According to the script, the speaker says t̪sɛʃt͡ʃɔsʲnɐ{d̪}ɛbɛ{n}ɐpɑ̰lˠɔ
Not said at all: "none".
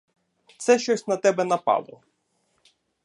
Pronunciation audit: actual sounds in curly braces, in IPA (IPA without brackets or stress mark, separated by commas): t̪, n